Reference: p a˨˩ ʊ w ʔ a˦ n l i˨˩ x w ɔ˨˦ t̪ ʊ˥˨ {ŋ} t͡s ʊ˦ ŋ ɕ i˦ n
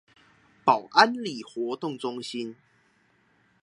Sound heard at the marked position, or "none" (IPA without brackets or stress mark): ŋ